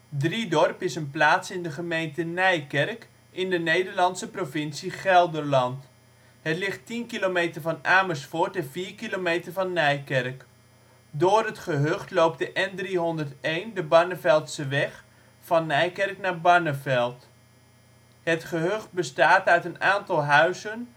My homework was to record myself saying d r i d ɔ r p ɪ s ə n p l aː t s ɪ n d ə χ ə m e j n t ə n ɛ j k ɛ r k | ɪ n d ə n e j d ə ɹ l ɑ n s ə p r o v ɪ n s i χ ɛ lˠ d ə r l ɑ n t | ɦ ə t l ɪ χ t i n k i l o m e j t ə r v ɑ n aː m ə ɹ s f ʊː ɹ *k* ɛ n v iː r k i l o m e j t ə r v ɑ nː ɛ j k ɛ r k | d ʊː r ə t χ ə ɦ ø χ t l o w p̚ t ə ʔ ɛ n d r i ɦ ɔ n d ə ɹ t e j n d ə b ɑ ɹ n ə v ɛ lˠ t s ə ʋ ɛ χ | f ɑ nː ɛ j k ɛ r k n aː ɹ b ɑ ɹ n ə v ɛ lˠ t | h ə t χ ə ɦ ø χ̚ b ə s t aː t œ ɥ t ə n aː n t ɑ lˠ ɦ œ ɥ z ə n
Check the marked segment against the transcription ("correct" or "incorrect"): incorrect